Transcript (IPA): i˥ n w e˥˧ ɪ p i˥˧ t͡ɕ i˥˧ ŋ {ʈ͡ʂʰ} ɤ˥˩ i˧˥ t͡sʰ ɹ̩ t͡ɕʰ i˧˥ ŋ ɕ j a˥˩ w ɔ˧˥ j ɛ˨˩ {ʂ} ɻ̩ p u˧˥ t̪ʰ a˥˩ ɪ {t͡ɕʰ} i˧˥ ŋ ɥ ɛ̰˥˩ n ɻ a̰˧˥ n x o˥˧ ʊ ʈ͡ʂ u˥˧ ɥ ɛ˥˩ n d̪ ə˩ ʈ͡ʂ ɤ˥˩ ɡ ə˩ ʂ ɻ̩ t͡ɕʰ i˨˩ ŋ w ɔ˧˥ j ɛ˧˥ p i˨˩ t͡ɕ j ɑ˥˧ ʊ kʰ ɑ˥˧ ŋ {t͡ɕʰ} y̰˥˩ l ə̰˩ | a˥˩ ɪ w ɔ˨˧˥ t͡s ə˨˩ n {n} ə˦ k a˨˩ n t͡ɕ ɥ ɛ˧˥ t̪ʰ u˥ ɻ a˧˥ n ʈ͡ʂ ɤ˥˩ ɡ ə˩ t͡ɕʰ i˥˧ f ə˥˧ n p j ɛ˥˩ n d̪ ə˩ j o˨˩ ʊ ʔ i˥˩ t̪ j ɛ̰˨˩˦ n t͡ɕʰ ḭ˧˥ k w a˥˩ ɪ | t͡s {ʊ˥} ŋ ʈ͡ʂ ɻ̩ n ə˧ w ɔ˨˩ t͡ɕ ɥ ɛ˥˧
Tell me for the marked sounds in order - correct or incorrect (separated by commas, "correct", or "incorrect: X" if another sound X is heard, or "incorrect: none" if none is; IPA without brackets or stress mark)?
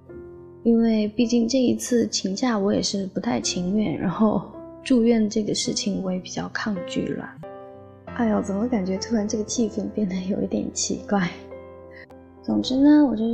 incorrect: ʈ͡ʂ, correct, correct, incorrect: t͡ɕ, incorrect: m, incorrect: ʊ˨˩